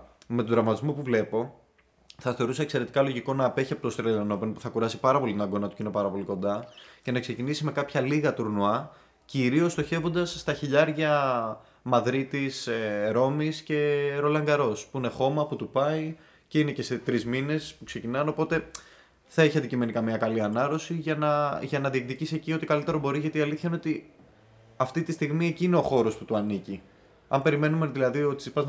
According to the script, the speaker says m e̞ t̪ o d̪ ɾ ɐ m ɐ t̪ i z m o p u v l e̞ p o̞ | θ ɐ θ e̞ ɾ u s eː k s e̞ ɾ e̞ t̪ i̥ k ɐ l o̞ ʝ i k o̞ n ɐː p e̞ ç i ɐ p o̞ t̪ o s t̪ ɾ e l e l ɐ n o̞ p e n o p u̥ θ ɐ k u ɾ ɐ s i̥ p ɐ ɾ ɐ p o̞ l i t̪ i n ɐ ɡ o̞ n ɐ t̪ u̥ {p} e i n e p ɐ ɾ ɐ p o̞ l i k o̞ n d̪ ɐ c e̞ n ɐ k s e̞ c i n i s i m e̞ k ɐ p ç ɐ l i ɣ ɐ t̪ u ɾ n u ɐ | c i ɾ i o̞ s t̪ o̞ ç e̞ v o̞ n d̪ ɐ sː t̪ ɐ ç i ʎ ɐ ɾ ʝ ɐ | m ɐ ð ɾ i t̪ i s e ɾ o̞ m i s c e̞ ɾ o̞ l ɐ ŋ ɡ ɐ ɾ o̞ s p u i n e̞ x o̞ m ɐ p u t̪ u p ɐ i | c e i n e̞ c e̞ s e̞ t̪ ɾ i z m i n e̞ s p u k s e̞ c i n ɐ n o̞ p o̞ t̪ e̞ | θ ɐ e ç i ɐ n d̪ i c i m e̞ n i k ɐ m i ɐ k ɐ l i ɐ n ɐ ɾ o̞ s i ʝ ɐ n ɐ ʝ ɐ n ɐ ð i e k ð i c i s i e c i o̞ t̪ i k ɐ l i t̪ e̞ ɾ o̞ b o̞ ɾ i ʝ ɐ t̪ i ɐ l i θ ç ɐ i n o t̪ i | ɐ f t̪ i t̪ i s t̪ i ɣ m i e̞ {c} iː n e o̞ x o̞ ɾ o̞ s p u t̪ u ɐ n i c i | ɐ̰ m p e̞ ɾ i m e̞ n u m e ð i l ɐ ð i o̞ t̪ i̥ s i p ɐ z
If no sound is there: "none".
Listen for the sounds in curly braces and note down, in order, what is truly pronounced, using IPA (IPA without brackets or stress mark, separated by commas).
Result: c, c